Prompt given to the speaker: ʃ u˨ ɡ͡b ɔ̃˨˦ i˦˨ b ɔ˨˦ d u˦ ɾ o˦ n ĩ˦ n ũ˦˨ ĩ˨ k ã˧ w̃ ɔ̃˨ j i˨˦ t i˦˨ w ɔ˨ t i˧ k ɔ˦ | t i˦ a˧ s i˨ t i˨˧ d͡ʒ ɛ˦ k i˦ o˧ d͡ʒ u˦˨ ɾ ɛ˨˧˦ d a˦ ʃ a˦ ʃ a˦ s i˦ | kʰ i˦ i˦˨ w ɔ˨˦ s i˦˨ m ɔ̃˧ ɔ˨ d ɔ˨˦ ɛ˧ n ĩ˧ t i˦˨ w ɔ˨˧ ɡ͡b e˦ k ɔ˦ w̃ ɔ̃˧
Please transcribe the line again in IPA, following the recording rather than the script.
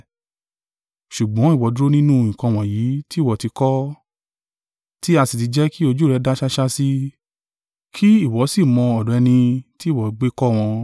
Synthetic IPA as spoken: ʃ u˨ ɡ͡b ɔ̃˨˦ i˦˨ w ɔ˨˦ d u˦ ɾ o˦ n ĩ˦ n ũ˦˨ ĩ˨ k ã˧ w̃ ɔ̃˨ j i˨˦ t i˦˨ w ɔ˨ t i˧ k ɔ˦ | t i˦ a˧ s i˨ t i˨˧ d͡ʒ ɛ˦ k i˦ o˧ d͡ʒ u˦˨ ɾ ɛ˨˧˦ d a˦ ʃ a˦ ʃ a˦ s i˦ | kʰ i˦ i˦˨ w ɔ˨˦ s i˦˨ m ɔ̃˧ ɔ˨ d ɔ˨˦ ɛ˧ n ĩ˧ t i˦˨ w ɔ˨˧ ɡ͡b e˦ k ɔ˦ w̃ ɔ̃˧

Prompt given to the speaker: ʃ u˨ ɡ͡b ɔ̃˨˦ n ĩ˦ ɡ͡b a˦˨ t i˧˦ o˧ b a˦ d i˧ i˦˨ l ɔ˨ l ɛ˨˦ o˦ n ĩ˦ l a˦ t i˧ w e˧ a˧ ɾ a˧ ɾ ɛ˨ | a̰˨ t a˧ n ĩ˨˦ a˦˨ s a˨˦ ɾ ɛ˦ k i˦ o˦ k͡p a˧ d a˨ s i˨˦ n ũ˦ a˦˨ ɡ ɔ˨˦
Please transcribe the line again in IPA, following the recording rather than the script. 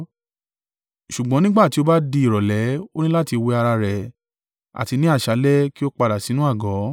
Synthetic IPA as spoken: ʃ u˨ ɡ͡b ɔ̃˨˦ n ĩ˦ ɡ͡b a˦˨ t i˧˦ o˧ b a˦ d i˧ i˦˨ ɾ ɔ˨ l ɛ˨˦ o˦ n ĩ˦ l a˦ t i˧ w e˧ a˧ ɾ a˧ ɾ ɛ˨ | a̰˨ t i˧ n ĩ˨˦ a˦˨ ʃ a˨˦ l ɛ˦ k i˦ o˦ k͡p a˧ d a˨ s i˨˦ n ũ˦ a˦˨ ɡ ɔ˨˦

